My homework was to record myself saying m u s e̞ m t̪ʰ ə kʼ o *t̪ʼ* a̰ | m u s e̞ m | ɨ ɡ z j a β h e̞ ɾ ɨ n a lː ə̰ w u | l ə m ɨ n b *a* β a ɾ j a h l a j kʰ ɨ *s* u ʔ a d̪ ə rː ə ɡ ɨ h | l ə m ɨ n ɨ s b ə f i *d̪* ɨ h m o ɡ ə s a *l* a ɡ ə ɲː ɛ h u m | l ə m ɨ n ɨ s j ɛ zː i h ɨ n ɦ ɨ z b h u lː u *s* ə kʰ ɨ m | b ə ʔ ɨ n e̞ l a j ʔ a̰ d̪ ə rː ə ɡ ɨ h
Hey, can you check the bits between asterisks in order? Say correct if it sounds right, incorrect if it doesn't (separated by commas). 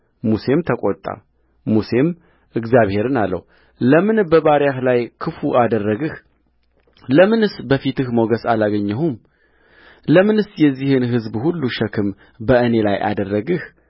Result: correct, incorrect, incorrect, incorrect, correct, incorrect